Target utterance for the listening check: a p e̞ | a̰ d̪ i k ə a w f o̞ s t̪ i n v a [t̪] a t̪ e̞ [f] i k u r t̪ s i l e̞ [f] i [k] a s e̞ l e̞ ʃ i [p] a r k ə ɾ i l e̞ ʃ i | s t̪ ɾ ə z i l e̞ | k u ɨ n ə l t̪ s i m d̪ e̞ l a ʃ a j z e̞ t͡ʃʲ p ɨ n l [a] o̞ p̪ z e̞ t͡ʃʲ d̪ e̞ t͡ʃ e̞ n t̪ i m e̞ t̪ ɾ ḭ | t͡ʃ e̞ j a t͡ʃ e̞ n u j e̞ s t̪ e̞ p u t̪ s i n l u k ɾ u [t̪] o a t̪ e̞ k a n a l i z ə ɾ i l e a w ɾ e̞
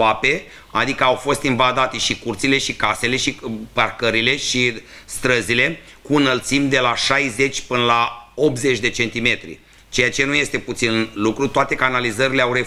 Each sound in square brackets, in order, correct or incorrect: incorrect, incorrect, incorrect, correct, correct, correct, correct

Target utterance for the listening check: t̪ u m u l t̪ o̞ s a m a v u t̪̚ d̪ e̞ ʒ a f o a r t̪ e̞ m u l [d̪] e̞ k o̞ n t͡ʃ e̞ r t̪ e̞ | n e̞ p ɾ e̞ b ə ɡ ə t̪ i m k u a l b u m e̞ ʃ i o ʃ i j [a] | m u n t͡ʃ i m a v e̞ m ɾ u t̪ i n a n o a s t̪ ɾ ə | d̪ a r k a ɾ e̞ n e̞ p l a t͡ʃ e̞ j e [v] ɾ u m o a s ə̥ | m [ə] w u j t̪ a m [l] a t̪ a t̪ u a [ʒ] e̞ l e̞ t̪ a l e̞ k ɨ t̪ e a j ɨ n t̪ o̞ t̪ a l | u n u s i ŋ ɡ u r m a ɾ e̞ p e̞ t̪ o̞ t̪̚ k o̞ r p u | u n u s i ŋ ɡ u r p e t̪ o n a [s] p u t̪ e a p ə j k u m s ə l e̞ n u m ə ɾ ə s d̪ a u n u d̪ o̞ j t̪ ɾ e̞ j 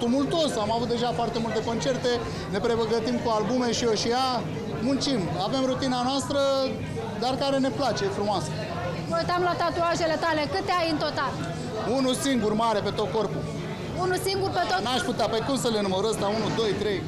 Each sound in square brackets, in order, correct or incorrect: incorrect, correct, incorrect, correct, correct, correct, incorrect

